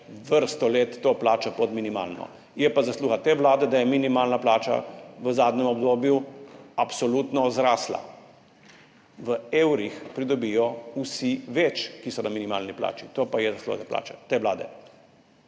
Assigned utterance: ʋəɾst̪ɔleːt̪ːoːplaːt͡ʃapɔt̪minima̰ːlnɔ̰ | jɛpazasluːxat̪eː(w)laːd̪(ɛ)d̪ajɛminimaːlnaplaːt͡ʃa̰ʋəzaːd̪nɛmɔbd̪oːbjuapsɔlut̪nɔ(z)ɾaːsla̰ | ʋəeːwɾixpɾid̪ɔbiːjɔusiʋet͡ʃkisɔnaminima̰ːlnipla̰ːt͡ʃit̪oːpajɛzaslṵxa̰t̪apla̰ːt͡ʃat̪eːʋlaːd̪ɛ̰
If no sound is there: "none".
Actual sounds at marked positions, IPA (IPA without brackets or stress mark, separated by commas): ʋ, ɛ, z